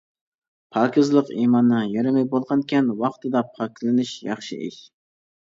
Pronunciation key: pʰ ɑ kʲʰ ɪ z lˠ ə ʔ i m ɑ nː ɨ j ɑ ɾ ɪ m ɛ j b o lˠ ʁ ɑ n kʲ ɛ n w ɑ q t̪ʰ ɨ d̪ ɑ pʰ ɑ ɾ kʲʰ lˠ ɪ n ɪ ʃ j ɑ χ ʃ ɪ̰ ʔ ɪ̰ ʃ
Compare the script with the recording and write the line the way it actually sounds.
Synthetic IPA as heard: pʰ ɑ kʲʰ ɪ z lˠ ə q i m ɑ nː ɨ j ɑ ɾ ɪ m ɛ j b o lˠ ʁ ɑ n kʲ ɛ n w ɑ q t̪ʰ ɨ d̪ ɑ pʰ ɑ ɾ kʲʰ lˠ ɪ n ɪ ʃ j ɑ χ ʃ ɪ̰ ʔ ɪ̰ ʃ